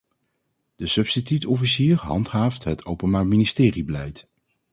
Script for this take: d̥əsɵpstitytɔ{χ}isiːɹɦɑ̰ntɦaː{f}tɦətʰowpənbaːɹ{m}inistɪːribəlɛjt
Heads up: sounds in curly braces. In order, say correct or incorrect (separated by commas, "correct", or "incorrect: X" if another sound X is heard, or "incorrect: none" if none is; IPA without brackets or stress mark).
incorrect: f, correct, correct